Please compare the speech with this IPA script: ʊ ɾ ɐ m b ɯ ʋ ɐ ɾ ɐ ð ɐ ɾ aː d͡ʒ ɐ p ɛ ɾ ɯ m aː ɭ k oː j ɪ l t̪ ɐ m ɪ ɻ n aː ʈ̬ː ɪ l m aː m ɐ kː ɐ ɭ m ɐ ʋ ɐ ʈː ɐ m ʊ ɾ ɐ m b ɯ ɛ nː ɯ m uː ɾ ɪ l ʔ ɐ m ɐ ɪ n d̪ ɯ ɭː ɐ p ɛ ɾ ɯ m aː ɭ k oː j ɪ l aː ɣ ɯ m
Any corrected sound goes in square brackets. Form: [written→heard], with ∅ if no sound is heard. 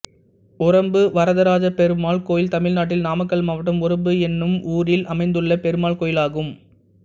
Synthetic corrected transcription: ʊ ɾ ɐ m b ɯ ʋ ɐ ɾ ɐ ð ɐ ɾ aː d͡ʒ ɐ p ɛ ɾ ɯ m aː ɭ k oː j ɪ l t̪ ɐ m ɪ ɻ n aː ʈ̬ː ɪ l [m→n] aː m ɐ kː ɐ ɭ m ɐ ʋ ɐ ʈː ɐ m ʊ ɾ ɐ m b ɯ ɛ nː ɯ m uː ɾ ɪ l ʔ ɐ m ɐ ɪ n d̪ ɯ ɭː ɐ p ɛ ɾ ɯ m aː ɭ k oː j ɪ l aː ɣ ɯ m

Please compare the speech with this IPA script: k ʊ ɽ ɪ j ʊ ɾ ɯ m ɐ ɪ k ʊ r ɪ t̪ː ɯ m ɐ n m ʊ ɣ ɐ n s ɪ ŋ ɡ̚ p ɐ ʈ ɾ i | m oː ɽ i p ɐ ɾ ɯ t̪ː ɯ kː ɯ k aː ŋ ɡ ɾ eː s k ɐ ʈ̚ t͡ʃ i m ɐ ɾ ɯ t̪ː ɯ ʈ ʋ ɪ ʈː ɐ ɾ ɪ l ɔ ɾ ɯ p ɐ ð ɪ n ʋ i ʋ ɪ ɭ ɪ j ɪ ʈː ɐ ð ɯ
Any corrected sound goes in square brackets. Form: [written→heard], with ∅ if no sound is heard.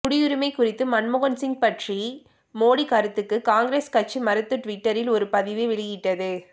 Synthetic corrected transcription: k ʊ ɽ ɪ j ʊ ɾ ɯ m ɐ ɪ k ʊ r ɪ t̪ː ɯ m ɐ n m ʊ ɣ ɐ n s ɪ ŋ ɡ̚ p ɐ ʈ [ɾ→r] i | m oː ɽ i [p→k] ɐ ɾ ɯ t̪ː ɯ kː ɯ k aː ŋ ɡ ɾ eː s k ɐ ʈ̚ t͡ʃ i m ɐ ɾ ɯ t̪ː ɯ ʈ ʋ ɪ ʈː ɐ ɾ ɪ l ɔ ɾ ɯ p ɐ ð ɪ [n→∅] ʋ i ʋ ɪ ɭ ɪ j ɪ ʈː ɐ ð ɯ

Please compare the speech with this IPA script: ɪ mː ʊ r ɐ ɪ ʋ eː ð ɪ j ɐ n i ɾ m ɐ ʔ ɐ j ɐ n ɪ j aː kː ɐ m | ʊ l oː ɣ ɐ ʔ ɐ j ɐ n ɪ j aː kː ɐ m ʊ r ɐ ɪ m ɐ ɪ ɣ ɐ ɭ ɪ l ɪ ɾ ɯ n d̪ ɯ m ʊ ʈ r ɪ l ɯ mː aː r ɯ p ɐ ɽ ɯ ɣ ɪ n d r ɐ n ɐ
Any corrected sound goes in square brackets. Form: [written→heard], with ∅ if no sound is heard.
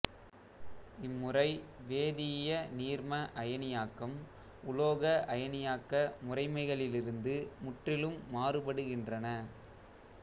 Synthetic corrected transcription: ɪ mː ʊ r ɐ ɪ ʋ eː ð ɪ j ɐ n [i→iː] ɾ m ɐ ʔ ɐ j ɐ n ɪ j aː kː ɐ m | ʊ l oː ɣ ɐ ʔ ɐ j ɐ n ɪ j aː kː ɐ m ʊ r ɐ ɪ m ɐ ɪ ɣ ɐ ɭ ɪ l ɪ ɾ ɯ n d̪ ɯ m ʊ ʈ r ɪ l ɯ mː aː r ɯ p ɐ ɽ ɯ ɣ ɪ n d r ɐ n ɐ

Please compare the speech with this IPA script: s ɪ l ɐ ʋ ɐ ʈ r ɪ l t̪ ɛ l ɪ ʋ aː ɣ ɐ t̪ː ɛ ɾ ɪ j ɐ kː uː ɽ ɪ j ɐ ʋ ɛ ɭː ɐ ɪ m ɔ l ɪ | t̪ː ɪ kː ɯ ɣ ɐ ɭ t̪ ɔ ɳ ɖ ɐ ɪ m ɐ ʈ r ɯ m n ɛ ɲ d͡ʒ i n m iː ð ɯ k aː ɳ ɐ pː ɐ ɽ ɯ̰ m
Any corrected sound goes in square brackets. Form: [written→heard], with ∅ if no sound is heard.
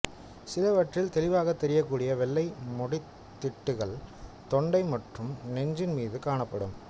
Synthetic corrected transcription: s ɪ l ɐ ʋ ɐ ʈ r ɪ l t̪ ɛ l ɪ ʋ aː ɣ ɐ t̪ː ɛ ɾ ɪ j ɐ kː uː ɽ ɪ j ɐ ʋ ɛ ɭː ɐ ɪ m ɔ [l→ɽ] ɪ | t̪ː ɪ [kː→ʈː] ɯ ɣ ɐ ɭ t̪ ɔ ɳ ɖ ɐ ɪ m ɐ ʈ r ɯ m n ɛ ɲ d͡ʒ [i→ɪ] n m iː ð ɯ k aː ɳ ɐ pː ɐ ɽ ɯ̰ m

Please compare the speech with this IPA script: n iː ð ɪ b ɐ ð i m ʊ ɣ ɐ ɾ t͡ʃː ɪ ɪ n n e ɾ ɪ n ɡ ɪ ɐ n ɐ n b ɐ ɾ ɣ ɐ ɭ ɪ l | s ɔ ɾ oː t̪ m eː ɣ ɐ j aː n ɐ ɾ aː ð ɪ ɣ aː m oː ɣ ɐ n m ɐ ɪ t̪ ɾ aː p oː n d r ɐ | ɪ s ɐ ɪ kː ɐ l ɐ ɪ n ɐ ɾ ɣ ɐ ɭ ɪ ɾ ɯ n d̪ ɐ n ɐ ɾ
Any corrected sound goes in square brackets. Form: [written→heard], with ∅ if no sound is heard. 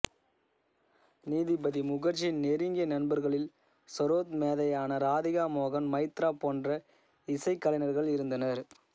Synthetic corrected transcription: n iː ð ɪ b ɐ ð i m ʊ ɣ ɐ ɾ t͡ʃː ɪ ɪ n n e ɾ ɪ [n→ŋ] ɡ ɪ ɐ n ɐ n b ɐ ɾ ɣ ɐ ɭ ɪ l | s ɔ ɾ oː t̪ m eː [ɣ→ð] ɐ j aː n ɐ ɾ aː ð ɪ ɣ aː m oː ɣ ɐ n m ɐ ɪ t̪ ɾ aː p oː n d r ɐ | ɪ s ɐ ɪ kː ɐ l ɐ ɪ n ɐ ɾ ɣ ɐ ɭ ɪ ɾ ɯ n d̪ ɐ n ɐ ɾ

